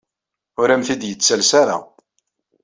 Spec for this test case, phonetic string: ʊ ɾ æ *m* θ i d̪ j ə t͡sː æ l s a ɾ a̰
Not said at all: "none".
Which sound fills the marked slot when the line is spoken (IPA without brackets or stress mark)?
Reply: m